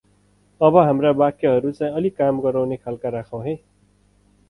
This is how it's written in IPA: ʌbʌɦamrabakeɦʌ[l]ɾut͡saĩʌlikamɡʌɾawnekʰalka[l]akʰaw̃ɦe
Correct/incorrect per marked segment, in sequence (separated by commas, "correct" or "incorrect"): incorrect, incorrect